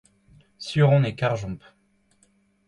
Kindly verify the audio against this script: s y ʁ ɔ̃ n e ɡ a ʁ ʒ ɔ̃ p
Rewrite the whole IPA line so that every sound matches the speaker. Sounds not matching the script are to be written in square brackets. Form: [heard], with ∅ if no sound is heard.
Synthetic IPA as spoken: s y ʁ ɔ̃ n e [k] a ʁ ʒ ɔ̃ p